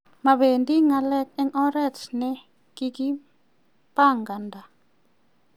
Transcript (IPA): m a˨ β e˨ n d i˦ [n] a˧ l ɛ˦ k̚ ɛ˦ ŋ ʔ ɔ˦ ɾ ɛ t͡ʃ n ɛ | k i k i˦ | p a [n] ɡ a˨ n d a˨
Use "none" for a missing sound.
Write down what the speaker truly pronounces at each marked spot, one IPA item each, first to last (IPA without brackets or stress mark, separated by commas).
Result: ŋ, ŋ